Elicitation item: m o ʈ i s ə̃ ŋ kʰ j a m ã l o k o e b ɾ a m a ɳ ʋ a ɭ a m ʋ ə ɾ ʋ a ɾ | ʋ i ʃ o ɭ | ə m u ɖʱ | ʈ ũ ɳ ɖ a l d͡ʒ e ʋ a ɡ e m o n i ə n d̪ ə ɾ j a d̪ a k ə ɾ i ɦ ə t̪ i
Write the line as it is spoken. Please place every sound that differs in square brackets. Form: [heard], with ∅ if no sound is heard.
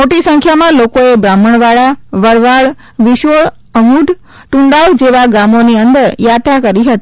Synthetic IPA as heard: m o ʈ i s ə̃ ŋ kʰ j a m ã l o k o e b ɾ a m [ə] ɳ ʋ a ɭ a [∅] ʋ ə ɾ ʋ a [ɭ] | ʋ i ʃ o ɭ | ə m u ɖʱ | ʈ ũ ɳ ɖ a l d͡ʒ e ʋ a ɡ [a] m o n i ə n d̪ ə ɾ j a [t̪] a k ə ɾ i ɦ ə t̪ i